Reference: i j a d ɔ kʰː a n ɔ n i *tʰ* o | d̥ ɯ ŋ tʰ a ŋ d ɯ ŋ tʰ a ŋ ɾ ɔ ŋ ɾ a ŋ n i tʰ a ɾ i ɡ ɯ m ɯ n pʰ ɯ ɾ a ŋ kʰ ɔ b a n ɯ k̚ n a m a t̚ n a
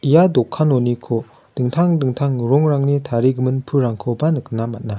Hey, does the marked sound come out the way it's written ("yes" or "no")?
no